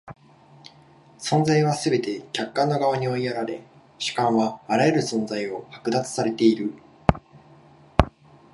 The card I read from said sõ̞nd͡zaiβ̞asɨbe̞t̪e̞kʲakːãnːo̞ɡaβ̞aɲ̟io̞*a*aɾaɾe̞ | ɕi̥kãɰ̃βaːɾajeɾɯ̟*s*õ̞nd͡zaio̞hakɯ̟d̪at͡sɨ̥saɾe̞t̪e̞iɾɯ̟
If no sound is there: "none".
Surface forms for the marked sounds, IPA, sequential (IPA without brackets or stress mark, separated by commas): i, s